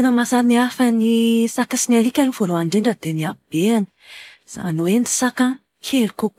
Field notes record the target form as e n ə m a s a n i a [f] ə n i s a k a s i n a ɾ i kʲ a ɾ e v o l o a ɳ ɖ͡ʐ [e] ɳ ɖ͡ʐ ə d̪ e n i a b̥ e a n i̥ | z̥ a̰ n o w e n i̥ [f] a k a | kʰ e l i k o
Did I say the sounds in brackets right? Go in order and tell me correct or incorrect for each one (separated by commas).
correct, correct, incorrect